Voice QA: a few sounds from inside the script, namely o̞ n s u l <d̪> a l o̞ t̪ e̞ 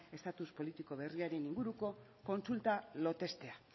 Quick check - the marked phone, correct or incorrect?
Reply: incorrect: t̪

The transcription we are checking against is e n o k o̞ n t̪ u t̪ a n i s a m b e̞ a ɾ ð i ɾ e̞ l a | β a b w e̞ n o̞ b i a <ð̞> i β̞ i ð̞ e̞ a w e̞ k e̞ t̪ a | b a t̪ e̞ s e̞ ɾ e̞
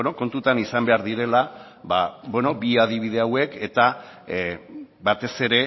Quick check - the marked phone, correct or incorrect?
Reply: correct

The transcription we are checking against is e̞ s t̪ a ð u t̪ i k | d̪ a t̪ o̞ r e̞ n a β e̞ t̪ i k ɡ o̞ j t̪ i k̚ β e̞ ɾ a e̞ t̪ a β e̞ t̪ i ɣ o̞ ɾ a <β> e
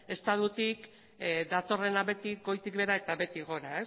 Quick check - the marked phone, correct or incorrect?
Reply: incorrect: none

